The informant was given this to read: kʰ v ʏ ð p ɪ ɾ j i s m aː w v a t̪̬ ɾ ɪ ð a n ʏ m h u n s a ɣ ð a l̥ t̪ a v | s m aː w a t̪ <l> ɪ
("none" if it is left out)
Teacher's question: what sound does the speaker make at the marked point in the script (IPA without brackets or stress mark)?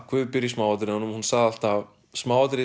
ɾ